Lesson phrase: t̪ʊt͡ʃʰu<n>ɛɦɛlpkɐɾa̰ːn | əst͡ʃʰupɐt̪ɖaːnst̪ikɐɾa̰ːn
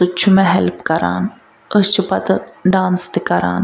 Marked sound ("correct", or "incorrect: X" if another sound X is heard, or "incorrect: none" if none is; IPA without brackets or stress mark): incorrect: m